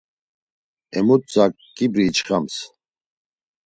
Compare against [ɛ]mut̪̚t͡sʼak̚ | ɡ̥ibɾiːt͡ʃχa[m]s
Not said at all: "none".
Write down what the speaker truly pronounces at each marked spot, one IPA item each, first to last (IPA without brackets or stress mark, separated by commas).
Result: ɛ, m